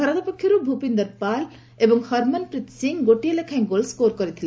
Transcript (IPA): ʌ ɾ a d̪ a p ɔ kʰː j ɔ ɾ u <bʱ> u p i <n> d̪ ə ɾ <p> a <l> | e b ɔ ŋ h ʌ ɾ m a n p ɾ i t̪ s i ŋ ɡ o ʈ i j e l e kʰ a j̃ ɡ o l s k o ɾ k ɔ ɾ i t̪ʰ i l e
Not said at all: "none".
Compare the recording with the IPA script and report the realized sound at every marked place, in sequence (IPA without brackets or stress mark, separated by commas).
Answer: bʱ, n, p, l